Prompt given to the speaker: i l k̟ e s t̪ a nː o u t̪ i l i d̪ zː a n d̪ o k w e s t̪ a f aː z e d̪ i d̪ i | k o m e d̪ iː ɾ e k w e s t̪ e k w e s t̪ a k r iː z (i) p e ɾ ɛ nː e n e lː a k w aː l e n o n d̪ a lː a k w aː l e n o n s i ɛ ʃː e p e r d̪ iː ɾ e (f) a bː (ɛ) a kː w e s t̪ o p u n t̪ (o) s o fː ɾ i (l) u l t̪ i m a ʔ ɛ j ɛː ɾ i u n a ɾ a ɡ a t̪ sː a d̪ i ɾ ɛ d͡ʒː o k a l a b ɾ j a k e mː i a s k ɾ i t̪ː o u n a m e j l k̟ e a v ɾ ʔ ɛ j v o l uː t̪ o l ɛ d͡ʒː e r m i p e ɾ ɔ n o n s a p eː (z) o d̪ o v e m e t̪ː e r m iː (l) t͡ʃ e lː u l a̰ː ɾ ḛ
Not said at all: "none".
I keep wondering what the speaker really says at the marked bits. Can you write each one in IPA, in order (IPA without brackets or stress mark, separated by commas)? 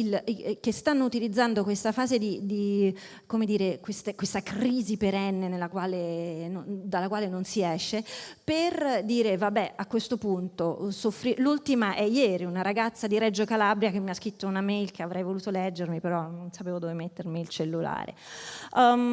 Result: i, v, ɛ, o, l, v, l